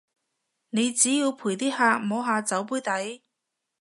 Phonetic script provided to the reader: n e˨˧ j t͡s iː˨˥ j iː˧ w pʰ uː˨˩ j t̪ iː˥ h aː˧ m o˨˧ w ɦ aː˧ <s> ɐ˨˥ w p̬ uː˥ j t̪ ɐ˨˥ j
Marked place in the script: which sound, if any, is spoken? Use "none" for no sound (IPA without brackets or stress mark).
t͡s